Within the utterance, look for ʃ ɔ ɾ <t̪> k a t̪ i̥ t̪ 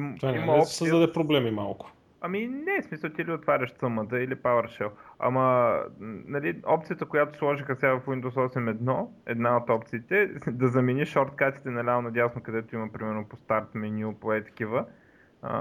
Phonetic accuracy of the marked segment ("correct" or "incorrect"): correct